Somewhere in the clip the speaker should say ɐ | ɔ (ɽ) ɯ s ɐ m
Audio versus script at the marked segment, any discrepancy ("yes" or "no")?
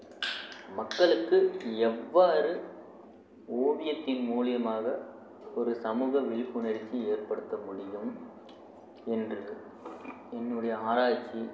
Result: yes